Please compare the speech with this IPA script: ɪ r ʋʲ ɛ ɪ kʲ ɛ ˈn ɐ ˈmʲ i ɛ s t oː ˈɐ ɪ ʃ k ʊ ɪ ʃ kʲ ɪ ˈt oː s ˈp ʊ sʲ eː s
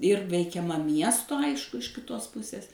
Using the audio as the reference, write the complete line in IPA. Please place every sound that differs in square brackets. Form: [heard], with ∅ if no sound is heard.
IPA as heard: ɪ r ʋʲ ɛ ɪ kʲ ɛ [ˈm] ɐ ˈmʲ i ɛ s t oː ˈɐ ɪ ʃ k ʊ ɪ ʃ kʲ ɪ ˈt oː s ˈp ʊ sʲ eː s